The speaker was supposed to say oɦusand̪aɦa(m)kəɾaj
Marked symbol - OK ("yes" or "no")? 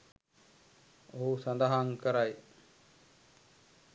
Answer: no